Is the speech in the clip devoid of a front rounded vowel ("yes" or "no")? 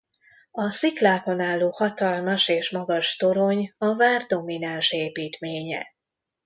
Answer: yes